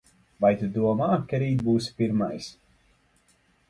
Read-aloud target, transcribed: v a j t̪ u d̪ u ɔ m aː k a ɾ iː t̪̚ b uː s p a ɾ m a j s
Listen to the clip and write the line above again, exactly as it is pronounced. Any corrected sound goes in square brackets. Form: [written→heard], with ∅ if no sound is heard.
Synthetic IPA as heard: v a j t̪ u d̪ u ɔ m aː k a ɾ iː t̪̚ b uː s p [a→i] ɾ m a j s